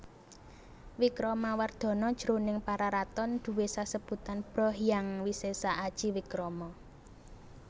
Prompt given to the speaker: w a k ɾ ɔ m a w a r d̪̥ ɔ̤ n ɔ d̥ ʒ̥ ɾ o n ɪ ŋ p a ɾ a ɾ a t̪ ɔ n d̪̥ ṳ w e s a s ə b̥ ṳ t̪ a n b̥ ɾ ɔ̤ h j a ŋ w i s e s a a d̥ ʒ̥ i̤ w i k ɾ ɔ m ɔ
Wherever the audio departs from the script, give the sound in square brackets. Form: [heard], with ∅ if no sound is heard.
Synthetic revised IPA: w [i] k ɾ ɔ m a w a r d̪̥ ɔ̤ n ɔ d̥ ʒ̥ ɾ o n ɪ ŋ p a ɾ a ɾ a t̪ ɔ n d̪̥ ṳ w e s a s ə b̥ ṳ t̪ a n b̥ ɾ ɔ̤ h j a ŋ w i s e s a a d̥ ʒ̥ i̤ w i k ɾ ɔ m ɔ